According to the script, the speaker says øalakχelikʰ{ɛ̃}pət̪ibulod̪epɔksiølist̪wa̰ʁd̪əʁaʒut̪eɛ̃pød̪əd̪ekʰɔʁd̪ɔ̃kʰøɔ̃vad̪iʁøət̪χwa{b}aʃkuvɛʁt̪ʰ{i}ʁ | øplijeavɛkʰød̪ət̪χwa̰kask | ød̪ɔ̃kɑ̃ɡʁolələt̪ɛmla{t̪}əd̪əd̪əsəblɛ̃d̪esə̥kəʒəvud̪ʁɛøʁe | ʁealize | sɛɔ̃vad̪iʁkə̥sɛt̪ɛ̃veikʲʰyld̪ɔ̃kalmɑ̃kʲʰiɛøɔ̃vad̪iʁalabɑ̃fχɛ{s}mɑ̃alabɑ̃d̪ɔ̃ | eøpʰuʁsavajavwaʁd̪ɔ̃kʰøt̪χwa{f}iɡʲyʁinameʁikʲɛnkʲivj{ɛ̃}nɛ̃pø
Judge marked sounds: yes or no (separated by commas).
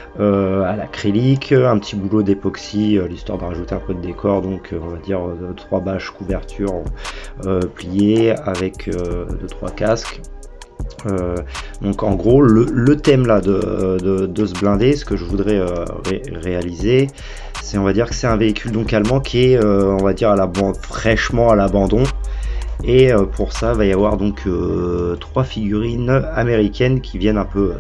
yes, yes, no, no, no, yes, no